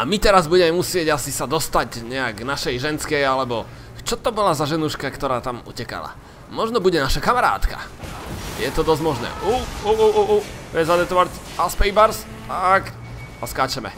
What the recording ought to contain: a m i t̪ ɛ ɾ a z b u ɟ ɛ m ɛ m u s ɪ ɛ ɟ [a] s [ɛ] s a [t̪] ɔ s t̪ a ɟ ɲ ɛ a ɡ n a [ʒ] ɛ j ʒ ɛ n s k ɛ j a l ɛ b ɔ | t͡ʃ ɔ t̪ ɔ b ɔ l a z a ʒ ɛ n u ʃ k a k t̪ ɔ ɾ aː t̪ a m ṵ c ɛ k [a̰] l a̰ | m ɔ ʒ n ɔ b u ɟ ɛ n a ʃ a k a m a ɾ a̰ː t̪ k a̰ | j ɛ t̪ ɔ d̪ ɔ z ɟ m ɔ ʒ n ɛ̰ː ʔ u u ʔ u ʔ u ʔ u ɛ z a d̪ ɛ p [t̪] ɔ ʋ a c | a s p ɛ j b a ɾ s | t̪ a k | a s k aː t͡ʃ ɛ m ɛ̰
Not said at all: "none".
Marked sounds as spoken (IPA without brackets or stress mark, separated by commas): a, i, d̪, ʃ, a̰, t̪